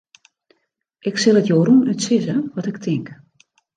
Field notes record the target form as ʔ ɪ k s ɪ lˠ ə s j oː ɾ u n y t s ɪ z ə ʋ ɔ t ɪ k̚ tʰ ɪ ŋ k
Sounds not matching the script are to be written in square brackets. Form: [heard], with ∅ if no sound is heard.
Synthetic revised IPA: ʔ ɪ k s ɪ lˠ ə [t] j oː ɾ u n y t s ɪ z ə ʋ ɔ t ɪ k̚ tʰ ɪ ŋ k